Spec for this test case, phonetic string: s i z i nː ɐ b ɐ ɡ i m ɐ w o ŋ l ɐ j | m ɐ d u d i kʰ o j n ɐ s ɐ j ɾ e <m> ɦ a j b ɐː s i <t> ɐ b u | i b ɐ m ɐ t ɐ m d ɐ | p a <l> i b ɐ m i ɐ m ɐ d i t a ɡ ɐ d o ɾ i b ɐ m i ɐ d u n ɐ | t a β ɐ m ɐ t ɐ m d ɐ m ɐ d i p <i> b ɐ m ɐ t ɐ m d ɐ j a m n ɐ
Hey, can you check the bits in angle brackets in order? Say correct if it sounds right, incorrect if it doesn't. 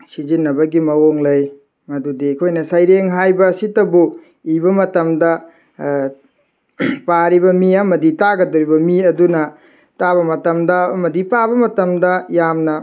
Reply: incorrect: ŋ, correct, incorrect: ɾ, incorrect: a

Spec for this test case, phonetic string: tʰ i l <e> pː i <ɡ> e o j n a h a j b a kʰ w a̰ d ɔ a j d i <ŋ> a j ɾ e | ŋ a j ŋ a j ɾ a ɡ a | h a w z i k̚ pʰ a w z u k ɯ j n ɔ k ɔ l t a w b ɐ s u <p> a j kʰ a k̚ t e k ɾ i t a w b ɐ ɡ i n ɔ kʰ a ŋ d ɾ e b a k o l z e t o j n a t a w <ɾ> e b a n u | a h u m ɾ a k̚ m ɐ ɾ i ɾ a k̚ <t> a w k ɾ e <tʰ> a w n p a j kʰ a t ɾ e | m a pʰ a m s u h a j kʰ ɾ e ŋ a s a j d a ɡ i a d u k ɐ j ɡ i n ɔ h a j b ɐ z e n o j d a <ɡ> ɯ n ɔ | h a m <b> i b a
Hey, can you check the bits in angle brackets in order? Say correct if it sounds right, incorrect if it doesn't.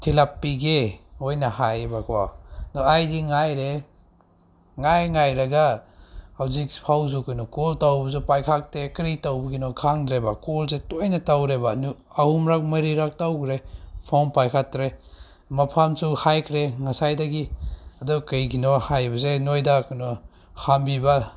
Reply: incorrect: a, correct, correct, correct, correct, correct, incorrect: pʰ, incorrect: k, correct

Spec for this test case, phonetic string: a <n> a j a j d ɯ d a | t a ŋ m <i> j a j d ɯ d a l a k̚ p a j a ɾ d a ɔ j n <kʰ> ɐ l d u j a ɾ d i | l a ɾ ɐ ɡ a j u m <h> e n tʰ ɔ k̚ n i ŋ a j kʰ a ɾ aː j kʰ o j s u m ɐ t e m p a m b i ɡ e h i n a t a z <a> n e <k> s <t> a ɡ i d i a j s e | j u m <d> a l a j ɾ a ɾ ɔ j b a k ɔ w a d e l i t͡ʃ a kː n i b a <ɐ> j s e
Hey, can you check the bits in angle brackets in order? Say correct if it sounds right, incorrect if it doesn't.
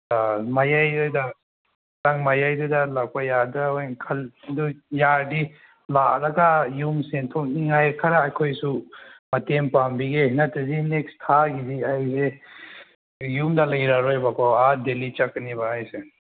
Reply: incorrect: m, incorrect: a, correct, incorrect: s, incorrect: i, correct, incorrect: tʰ, correct, incorrect: a

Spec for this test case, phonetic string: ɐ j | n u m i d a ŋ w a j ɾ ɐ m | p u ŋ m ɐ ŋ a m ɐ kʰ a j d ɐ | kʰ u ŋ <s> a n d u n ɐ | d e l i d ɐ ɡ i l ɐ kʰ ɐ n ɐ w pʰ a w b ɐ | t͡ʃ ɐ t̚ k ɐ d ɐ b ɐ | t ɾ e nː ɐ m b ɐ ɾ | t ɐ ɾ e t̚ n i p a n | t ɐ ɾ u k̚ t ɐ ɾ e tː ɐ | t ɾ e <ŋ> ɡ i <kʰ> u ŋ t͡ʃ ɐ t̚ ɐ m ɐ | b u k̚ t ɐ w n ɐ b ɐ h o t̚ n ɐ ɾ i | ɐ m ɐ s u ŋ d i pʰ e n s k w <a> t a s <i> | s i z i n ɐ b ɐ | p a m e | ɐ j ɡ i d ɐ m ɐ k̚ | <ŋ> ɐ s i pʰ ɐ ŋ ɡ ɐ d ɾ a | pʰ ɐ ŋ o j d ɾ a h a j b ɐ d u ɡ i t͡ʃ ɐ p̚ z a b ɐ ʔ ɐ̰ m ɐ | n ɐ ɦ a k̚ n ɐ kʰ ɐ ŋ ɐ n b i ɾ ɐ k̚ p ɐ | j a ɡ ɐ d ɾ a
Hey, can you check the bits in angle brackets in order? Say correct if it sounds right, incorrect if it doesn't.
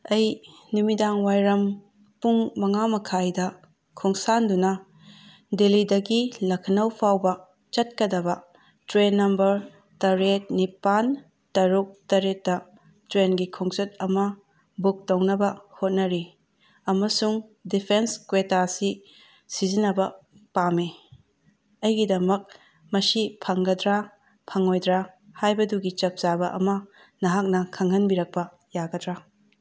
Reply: correct, incorrect: n, correct, incorrect: e, correct, incorrect: m

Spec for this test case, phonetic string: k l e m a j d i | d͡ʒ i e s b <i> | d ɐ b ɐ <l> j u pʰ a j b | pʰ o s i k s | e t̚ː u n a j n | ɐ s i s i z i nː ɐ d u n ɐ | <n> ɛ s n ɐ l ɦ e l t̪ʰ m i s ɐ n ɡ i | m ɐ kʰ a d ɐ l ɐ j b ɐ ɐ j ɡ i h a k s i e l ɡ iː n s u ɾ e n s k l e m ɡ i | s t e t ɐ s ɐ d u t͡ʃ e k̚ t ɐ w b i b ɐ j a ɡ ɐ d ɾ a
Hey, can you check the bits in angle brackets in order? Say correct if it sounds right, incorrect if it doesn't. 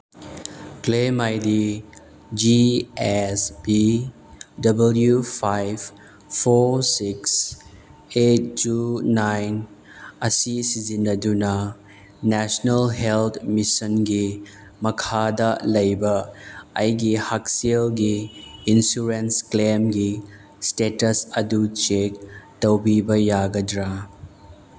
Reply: correct, correct, correct

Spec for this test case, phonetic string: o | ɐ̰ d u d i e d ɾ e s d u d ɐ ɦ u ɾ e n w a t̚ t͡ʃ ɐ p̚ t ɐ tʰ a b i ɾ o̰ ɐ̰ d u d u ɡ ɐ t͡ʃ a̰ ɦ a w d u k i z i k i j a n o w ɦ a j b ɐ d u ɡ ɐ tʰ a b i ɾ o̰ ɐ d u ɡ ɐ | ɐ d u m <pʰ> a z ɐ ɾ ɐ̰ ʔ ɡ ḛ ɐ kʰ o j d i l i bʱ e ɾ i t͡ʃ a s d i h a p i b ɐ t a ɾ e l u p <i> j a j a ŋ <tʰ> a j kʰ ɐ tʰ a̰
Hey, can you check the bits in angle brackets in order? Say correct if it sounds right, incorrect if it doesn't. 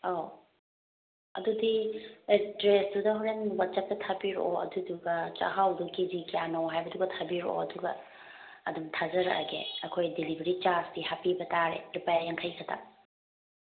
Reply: incorrect: tʰ, incorrect: a, incorrect: kʰ

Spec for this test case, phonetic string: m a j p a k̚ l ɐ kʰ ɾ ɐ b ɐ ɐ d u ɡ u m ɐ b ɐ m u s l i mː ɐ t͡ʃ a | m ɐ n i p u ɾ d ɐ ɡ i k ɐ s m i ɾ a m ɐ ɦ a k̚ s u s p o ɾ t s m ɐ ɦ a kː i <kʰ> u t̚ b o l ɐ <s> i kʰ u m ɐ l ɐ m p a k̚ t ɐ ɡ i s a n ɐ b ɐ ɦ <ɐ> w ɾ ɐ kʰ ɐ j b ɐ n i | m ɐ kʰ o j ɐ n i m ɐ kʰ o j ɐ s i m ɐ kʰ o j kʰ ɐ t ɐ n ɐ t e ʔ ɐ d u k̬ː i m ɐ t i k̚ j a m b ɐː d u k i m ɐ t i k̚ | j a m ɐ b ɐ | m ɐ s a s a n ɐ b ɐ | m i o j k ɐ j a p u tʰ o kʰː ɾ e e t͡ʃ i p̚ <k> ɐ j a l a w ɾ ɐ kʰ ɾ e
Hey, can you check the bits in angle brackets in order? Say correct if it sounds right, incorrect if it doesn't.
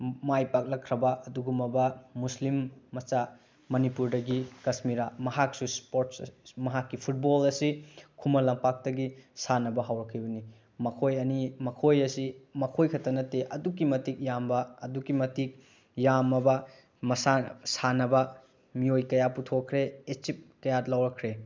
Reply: incorrect: pʰ, correct, incorrect: a, correct

